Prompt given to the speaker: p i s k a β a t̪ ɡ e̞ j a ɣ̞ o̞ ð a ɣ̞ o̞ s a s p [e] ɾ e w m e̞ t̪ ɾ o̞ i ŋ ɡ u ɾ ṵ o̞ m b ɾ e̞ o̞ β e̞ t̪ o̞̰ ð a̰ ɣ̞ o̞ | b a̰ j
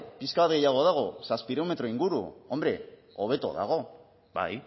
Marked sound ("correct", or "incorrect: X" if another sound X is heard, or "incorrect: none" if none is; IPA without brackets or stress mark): incorrect: i